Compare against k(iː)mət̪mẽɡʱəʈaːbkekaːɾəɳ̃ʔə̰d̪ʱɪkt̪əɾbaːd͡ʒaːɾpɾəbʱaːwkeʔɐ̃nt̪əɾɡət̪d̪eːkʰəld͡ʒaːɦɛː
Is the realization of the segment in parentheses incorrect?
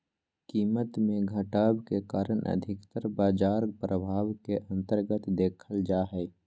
no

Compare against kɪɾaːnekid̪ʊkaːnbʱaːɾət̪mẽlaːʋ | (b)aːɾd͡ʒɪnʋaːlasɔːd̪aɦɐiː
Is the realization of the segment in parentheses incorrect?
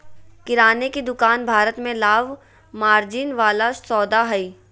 yes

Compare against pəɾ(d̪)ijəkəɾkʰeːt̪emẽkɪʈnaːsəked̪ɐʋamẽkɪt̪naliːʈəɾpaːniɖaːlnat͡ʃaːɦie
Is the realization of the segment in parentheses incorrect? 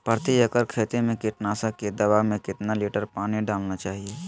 yes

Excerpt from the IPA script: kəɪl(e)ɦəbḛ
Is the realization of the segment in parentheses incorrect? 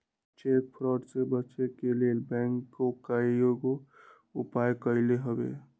no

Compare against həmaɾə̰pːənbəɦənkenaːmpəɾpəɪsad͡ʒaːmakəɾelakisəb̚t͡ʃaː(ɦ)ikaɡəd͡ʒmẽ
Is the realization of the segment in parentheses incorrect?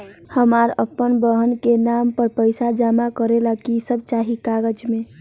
no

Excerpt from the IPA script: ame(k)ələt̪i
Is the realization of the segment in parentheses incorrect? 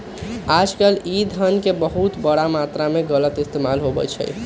yes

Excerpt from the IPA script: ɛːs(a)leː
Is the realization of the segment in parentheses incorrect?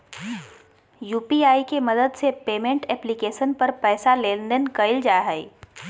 no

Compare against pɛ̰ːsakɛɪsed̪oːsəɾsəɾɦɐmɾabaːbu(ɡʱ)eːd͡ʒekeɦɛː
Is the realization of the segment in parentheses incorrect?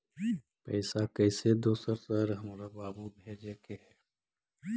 yes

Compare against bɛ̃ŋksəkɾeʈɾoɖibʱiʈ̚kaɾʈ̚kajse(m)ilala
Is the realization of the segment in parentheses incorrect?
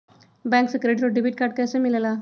no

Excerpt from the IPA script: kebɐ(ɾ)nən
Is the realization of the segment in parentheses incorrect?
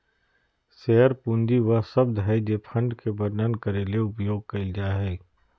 no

